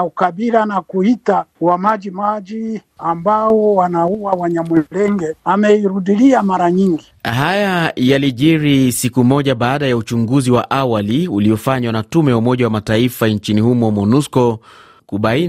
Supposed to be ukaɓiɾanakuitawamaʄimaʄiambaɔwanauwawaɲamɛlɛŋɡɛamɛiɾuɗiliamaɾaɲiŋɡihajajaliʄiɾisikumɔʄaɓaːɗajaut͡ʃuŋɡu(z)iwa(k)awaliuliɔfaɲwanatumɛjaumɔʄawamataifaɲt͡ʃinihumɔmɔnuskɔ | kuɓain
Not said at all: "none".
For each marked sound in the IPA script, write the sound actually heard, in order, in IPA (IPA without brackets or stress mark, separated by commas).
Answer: z, ʔ